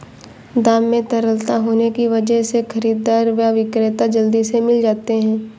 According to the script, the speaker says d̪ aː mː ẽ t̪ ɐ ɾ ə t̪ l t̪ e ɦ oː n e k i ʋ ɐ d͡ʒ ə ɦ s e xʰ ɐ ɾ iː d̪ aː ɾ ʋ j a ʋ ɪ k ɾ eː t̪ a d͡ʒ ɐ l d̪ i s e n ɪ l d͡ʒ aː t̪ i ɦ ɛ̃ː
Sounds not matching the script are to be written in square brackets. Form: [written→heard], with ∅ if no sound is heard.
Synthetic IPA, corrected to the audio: d̪ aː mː ẽ t̪ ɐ ɾ ə [t̪→∅] l t̪ [e→a] ɦ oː n e k i ʋ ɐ d͡ʒ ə ɦ s e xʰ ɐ ɾ iː d̪ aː ɾ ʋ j a ʋ ɪ k ɾ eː t̪ a d͡ʒ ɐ l d̪ i s e [n→m] ɪ l d͡ʒ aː t̪ [i→e] ɦ ɛ̃ː